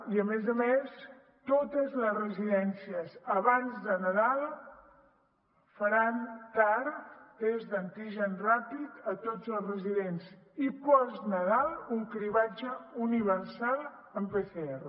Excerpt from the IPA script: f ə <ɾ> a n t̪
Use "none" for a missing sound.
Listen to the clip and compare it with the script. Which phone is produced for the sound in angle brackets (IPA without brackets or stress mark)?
ɾ